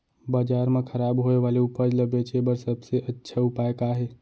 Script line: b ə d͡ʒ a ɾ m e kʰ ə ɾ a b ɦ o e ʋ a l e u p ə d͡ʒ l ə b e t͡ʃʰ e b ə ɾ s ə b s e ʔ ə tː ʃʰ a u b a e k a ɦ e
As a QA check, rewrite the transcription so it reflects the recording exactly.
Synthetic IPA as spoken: b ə d͡ʒ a ɾ m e kʰ ə ɾ a b ɦ o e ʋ a l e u p ə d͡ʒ l ə b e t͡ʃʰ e b ə ɾ s ə b s e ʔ ə tː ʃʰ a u p a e k a ɦ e